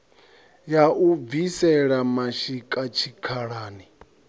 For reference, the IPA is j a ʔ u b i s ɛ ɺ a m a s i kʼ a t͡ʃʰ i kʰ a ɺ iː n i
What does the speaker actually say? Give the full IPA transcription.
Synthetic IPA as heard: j a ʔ u v i s ɛ ɺ a m a ʃ i kʼ a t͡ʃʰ i kʰ a ɺ aː n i